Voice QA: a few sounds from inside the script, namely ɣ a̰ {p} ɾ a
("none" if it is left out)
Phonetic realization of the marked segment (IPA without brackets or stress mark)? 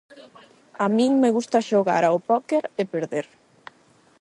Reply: none